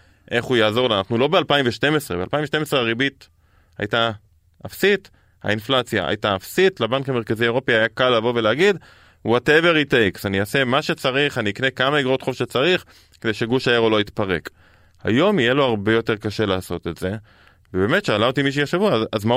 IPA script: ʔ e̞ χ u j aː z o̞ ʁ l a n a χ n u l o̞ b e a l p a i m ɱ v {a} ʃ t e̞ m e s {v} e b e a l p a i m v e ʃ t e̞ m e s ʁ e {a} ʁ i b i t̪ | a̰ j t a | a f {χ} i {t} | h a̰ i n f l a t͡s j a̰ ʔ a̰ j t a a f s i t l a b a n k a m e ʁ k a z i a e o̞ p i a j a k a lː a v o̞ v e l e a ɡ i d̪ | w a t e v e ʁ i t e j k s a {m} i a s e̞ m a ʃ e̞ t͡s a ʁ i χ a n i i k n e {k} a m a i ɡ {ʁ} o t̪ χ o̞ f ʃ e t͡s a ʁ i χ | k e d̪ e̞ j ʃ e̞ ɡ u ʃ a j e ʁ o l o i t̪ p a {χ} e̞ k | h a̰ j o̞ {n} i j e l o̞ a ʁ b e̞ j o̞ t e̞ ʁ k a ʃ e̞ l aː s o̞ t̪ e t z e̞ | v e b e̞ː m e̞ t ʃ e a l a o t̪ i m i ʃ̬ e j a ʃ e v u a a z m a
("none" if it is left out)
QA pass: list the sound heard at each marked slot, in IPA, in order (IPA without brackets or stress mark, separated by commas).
e, ʁ, a, s, t, n, k, ʁ, ʁ, m